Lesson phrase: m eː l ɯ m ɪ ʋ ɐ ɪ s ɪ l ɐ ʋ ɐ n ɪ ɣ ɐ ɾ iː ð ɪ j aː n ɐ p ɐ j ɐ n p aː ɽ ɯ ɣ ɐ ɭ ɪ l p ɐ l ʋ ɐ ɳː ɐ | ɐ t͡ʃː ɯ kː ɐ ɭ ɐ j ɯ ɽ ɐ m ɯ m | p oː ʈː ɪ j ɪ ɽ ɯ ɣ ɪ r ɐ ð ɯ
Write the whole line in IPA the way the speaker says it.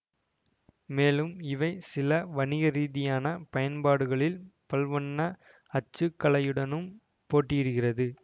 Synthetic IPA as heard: m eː l ɯ m ɪ ʋ ɐ ɪ s ɪ l ɐ ʋ ɐ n ɪ ɣ ɐ ɾ iː ð ɪ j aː n ɐ p ɐ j ɐ n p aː ɽ ɯ ɣ ɐ ɭ ɪ l p ɐ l ʋ ɐ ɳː ɐ | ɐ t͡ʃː ɯ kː ɐ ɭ ɐ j ɯ ɽ ɐ n ɯ m | p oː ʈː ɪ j ɪ ɽ ɯ ɣ ɪ r ɐ ð ɯ